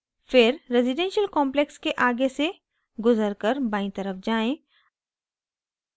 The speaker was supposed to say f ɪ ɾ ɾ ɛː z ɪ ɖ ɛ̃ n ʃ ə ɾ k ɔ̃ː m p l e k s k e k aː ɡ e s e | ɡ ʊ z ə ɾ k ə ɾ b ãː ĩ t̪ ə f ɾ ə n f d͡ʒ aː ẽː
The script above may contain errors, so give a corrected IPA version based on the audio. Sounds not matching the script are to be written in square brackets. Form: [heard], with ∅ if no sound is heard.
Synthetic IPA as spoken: f ɪ ɾ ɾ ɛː z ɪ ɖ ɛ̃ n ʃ ə [l] k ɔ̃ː m p l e k s k e [ʔ] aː ɡ e s e | ɡ ʊ z ə ɾ k ə ɾ b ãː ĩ t̪ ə [∅] ɾ ə [∅] f d͡ʒ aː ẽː